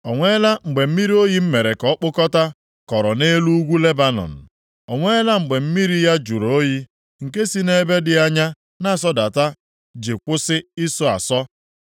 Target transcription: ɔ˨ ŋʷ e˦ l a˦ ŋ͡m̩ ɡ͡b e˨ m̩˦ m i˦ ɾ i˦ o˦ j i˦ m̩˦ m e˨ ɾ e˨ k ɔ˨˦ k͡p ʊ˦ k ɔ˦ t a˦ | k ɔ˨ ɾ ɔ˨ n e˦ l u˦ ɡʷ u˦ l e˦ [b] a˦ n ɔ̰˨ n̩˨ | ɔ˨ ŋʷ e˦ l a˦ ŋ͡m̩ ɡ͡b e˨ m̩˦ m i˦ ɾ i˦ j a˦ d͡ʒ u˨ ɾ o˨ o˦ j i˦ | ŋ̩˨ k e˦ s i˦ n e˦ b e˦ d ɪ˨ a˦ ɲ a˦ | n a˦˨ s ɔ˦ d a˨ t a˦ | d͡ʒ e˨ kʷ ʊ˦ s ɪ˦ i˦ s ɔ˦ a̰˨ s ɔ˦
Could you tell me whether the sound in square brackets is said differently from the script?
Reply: no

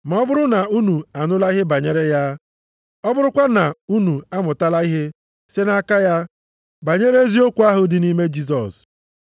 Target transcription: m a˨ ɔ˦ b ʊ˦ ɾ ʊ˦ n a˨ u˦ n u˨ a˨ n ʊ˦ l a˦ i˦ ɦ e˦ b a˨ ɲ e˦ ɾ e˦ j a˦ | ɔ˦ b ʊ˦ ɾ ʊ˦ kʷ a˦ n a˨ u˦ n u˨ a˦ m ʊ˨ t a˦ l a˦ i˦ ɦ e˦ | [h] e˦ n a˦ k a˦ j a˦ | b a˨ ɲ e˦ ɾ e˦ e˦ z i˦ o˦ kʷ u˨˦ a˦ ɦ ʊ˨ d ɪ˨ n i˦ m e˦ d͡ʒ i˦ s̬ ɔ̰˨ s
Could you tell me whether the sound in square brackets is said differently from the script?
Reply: yes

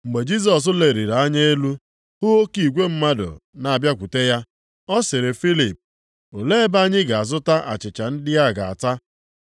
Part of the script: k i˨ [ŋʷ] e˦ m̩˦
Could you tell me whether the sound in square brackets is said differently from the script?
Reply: yes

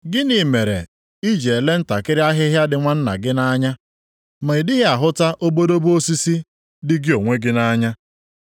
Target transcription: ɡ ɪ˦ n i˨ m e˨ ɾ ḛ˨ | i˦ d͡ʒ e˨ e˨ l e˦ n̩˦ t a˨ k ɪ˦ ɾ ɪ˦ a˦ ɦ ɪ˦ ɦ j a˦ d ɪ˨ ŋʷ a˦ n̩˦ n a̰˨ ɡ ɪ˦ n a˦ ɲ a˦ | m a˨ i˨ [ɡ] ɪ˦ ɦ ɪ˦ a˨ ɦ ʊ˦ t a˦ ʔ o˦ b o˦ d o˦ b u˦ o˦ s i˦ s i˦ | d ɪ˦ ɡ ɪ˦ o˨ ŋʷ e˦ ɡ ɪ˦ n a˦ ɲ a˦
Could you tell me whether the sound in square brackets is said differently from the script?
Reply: yes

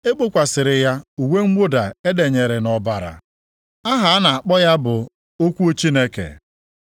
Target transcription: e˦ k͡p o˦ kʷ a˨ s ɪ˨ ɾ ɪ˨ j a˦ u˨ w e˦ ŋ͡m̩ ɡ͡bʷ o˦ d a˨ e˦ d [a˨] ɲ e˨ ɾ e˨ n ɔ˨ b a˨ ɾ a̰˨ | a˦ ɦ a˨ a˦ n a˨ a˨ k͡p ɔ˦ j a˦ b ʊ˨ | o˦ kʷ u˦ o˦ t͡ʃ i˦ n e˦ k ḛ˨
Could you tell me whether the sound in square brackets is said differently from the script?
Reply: yes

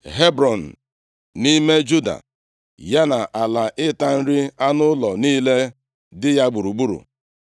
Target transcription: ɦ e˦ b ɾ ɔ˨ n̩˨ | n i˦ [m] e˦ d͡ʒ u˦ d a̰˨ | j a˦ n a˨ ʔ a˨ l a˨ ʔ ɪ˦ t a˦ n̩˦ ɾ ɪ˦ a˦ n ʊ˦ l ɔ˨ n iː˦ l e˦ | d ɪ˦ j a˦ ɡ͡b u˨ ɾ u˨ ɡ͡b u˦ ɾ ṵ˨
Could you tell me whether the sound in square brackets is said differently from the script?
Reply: no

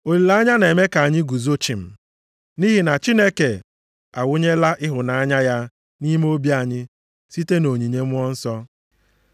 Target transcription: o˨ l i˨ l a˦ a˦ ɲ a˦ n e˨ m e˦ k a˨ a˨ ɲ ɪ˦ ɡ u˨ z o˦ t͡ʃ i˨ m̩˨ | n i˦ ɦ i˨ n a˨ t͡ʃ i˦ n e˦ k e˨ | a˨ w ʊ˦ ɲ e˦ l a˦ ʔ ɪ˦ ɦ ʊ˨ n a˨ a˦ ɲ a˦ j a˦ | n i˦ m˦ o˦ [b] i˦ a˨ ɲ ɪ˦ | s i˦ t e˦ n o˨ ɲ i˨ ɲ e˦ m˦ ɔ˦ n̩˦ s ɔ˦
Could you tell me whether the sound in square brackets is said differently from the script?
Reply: no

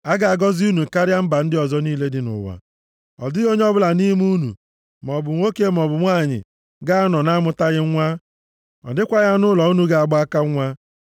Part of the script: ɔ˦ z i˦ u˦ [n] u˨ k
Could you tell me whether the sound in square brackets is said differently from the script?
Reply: no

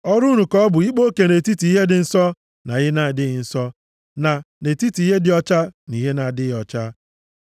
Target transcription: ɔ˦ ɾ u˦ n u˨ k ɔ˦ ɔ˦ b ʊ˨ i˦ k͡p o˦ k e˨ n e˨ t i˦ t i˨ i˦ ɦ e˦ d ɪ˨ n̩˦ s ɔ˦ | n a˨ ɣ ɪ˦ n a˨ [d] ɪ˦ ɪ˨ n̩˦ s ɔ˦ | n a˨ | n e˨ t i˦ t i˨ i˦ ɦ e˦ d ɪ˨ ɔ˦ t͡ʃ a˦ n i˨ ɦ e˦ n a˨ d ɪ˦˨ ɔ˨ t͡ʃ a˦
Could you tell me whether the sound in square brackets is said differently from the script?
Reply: no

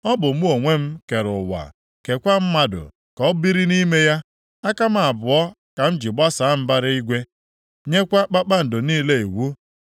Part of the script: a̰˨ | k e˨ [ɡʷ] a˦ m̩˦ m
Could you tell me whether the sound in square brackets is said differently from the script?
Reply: yes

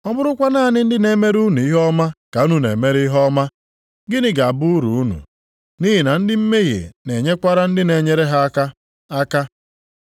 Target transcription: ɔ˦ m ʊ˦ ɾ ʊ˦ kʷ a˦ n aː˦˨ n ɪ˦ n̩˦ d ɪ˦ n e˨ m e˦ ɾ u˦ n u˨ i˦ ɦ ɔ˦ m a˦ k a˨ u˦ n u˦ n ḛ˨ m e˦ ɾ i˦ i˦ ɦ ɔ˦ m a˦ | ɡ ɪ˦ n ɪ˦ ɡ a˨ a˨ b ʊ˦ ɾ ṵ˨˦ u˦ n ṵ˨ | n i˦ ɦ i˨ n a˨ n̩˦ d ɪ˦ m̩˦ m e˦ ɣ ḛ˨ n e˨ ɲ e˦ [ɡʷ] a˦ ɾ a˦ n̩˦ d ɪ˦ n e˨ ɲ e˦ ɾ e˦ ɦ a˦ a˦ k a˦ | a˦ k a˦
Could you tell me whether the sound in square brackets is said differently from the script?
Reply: yes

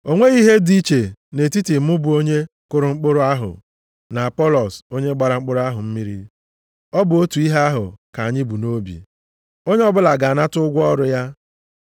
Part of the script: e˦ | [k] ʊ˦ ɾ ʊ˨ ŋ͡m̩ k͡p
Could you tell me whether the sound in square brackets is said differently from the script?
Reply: no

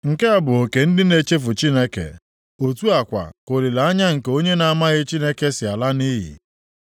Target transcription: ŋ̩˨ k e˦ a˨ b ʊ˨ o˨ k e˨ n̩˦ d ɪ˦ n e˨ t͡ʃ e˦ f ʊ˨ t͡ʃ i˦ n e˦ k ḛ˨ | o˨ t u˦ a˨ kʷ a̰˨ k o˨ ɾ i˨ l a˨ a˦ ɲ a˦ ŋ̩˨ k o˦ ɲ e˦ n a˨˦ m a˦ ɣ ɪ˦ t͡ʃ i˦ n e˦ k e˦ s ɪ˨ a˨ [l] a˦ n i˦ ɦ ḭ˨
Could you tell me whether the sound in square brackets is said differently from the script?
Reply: no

